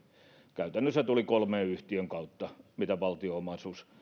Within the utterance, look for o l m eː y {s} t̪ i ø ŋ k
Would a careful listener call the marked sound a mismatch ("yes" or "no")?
yes